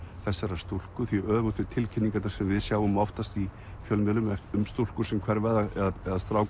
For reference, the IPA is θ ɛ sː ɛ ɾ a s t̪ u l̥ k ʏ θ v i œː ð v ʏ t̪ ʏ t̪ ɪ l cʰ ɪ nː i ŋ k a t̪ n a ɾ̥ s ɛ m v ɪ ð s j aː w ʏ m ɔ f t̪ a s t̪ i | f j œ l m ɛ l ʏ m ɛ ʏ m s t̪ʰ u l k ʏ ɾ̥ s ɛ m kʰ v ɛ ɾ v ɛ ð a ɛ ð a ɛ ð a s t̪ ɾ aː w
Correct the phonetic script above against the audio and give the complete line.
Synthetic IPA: θ ɛ sː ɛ ɾ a s t̪ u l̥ k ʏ θ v i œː ð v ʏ t̪ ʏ t̪ʰ ɪ l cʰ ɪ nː i ŋ k a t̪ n a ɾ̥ s ɛ m v ɪ ð s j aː w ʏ m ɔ f t̪ a s t̪ i | f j œ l m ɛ l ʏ m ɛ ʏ m s t̪ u l k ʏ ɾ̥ s ɛ m kʰ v ɛ ɾ v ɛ ð a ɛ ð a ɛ ð a s t̪ ɾ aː w